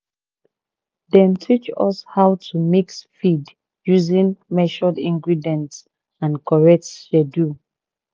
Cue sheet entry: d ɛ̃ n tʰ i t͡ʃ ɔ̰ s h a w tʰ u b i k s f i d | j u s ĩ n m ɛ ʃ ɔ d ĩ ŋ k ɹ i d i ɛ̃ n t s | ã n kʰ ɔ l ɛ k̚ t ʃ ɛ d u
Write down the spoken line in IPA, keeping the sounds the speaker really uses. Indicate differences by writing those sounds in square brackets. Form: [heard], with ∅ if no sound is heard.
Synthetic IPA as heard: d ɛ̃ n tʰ i t͡ʃ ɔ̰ s h a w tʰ u [m] i k s f i d | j u [z] ĩ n m ɛ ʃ ɔ d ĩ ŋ [ɡ] ɹ i d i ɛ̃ n t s | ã n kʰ ɔ [ɹ] ɛ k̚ t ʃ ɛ d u